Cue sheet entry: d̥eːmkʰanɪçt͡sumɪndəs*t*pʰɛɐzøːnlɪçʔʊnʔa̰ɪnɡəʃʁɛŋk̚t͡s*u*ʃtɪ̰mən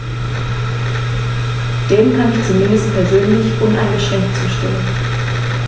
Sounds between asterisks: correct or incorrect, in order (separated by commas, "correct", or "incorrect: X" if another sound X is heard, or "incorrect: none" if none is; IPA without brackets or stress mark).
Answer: correct, incorrect: uː